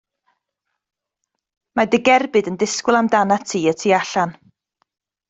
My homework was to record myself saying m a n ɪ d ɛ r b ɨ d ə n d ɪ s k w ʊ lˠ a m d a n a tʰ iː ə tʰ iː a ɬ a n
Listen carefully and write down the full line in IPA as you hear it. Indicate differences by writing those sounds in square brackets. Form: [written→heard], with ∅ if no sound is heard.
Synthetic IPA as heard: m a [n→d] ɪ [d→ɡ] ɛ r b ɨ d ə n d ɪ s k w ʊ lˠ a m d a n a tʰ iː ə tʰ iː a ɬ a n